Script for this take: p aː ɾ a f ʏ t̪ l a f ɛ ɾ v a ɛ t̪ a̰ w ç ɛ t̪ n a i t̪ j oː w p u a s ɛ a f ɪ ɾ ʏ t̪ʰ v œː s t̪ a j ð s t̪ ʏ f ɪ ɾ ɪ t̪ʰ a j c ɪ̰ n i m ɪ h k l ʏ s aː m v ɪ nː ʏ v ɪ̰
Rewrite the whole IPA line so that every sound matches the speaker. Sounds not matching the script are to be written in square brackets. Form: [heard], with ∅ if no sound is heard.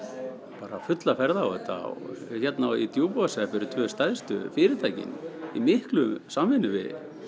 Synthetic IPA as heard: p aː ɾ a f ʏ t̪ l a f ɛ ɾ [ð] a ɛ t̪ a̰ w ç ɛ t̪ n a i t̪ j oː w p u a s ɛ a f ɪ ɾ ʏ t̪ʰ v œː s t̪ a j ð s t̪ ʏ f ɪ ɾ ɪ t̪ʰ a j c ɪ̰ n i m ɪ h k l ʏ s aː m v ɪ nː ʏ v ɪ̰